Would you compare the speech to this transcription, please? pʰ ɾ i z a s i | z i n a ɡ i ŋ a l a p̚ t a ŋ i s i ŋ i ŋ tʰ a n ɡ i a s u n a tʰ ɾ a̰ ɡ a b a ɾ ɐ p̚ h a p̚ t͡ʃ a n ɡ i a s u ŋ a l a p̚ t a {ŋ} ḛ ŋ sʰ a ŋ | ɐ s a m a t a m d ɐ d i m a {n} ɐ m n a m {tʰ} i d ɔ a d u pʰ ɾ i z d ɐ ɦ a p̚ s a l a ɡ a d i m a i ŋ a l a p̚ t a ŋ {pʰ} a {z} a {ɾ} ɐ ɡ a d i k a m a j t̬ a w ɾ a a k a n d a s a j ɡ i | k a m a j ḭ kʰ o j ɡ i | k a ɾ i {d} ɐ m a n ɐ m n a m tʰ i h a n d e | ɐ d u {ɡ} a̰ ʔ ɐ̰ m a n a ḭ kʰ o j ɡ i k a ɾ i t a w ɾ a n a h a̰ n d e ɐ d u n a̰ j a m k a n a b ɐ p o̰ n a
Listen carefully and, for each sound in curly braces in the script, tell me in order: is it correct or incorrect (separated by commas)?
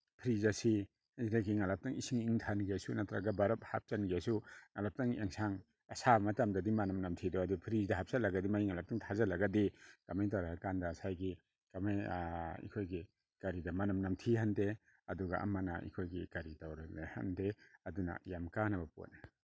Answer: correct, correct, correct, incorrect, correct, incorrect, correct, correct